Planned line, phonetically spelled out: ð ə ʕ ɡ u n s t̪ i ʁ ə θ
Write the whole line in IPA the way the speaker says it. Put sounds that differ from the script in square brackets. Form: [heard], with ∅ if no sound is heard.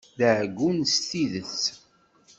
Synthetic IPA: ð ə ʕ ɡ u n s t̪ i [ð] ə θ